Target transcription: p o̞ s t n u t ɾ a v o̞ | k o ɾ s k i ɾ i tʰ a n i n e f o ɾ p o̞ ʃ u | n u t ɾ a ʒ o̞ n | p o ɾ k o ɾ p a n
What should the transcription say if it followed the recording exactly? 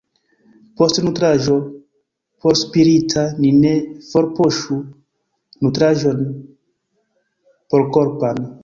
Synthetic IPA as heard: p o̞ s t n u t ɾ a ʒ o̞ | p o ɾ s p i ɾ i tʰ a n i n e f o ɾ p o̞ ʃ u | n u t ɾ a ʒ o̞ n | p o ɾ k o ɾ p a n

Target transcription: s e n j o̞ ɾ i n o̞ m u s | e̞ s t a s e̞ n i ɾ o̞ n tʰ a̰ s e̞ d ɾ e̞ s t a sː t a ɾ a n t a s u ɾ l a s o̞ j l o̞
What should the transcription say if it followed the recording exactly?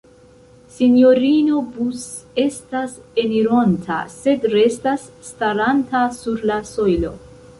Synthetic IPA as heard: s i n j o̞ ɾ i n o̞ b u s | e̞ s t a s e̞ n i ɾ o̞ n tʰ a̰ s e̞ d ɾ e̞ s t a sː t a ɾ a n t a s u ɾ l a s o̞ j l o̞

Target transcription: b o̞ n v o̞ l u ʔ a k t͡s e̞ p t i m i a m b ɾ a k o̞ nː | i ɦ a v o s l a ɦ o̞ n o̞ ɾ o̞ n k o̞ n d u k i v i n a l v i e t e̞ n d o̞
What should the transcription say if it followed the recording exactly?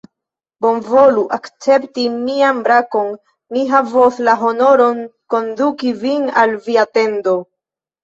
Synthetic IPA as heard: b o̞ n v o̞ l u ʔ a k t͡s e̞ p t i m i a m b ɾ a k o̞ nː | i ɦ a v o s l a ɦ o̞ n o̞ ɾ o̞ n k o̞ n d u k i v i n a l v i a t e̞ n d o̞

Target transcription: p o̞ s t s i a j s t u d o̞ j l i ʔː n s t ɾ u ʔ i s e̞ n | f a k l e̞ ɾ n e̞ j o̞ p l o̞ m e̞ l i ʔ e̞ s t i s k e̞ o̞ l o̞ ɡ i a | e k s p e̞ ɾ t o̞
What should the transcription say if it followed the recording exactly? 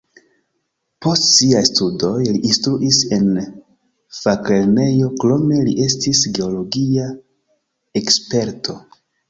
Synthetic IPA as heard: p o̞ s t s i a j s t u d o̞ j l i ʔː n s t ɾ u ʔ i s e̞ n | f a k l e̞ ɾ n e̞ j o̞ k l o̞ m e̞ l i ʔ e̞ s t i s ɡ e̞ o̞ l o̞ ɡ i a | e k s p e̞ ɾ t o̞

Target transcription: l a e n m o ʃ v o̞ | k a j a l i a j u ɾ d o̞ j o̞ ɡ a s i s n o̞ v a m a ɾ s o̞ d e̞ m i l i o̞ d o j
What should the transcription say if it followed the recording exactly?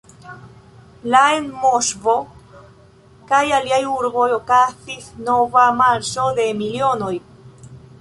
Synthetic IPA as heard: l a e n m o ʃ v o̞ | k a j a l i a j u ɾ b o̞ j o̞ k a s i s n o̞ v a m a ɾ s o̞ d e̞ m i l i o̞ n o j

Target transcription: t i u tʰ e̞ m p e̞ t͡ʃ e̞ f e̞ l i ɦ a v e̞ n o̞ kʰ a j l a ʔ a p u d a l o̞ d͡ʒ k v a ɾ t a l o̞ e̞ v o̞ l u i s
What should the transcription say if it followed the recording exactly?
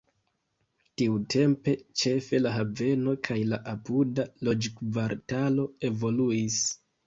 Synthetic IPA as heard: t i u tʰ e̞ m p e̞ t͡ʃ e̞ f e̞ l a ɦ a v e̞ n o̞ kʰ a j l a ʔ a p u d a l o̞ d͡ʒ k v a ɾ t a l o̞ e̞ v o̞ l u i s

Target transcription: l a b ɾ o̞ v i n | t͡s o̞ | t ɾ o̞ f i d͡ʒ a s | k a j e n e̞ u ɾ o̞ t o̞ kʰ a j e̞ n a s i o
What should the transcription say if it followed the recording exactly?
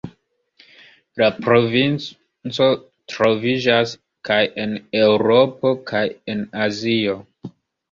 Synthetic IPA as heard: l a p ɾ o̞ v i n | t͡s o̞ | t ɾ o̞ v i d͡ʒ a s | k a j e n e̞ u ɾ o̞ p o̞ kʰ a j e̞ n a z i o

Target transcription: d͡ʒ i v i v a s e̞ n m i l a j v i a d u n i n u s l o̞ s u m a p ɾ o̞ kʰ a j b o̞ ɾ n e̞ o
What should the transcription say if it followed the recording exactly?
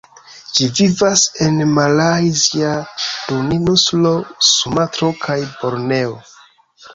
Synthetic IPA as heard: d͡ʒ i v i v a s e̞ n m a l a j z i a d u n i n u s l o̞ s u m a t ɾ o̞ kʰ a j b o̞ ɾ n e̞ o

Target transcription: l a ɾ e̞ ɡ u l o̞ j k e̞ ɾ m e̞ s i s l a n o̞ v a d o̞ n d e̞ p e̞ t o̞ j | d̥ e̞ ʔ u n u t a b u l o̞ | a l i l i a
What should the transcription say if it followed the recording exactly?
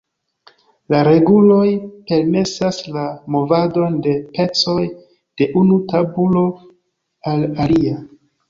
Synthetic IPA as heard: l a ɾ e̞ ɡ u l o̞ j p e̞ ɾ m e̞ s a s l a m o̞ v a d o̞ n d e̞ p e̞ t͡s o̞ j | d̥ e̞ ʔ u n u t a b u l o̞ | a l a l i a

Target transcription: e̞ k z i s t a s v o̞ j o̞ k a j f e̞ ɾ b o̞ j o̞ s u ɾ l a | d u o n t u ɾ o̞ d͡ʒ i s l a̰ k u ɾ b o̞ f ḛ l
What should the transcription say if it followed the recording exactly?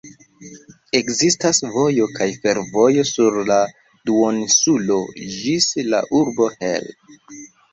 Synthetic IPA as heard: e̞ k z i s t a s v o̞ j o̞ k a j f e̞ ɾ v o̞ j o̞ s u ɾ l a | d u o n s u l o̞ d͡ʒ i s l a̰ ʔ u ɾ b o̞ h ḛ l

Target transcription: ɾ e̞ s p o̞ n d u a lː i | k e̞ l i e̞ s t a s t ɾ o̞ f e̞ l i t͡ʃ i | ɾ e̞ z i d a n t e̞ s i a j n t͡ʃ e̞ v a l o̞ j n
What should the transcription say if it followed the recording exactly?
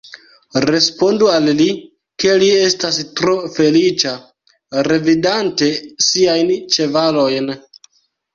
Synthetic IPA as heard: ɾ e̞ s p o̞ n d u a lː i | k e̞ l i e̞ s t a s t ɾ o̞ f e̞ l i t͡ʃ a | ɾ e̞ v i d a n t e̞ s i a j n t͡ʃ e̞ v a l o̞ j n

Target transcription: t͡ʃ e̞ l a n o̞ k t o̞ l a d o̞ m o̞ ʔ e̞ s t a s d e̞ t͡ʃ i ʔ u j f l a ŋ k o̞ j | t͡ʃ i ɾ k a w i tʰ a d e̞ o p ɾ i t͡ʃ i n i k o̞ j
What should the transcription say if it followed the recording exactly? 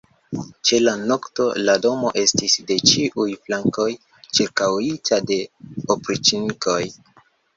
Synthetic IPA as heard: t͡ʃ e̞ l a n o̞ k t o̞ l a d o̞ m o̞ ʔ e̞ s t i s d e̞ t͡ʃ i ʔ u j f l a ŋ k o̞ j | t͡ʃ i ɾ k a w i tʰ a d e̞ o p ɾ i t͡ʃ i n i k o̞ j

